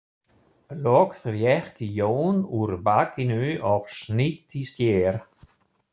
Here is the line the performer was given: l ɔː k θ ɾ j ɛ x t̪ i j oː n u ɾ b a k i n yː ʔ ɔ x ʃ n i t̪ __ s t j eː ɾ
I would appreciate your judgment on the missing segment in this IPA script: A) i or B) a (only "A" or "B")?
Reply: A